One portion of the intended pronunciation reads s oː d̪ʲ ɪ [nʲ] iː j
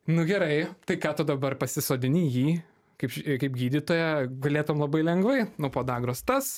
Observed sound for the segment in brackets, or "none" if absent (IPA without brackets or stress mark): nʲ